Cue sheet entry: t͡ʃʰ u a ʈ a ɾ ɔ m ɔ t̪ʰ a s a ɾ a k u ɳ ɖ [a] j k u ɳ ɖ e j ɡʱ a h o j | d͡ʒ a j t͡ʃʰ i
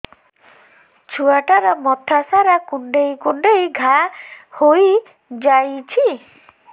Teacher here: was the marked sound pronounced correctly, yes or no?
no